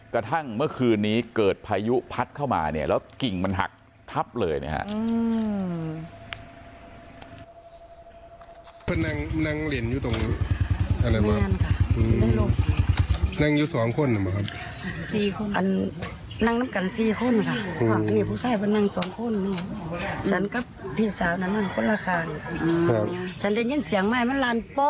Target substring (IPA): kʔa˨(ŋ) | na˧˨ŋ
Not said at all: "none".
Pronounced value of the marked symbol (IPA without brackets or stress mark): n